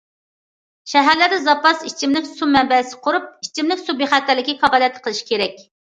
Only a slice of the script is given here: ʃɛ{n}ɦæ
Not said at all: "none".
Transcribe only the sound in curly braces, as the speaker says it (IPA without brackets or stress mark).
none